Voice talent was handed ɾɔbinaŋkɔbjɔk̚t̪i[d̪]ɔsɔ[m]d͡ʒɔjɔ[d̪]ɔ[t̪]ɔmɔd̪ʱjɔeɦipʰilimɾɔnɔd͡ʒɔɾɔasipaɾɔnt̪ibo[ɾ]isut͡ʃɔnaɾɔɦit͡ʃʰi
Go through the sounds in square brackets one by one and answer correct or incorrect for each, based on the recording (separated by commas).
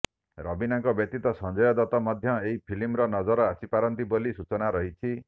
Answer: incorrect, incorrect, correct, correct, incorrect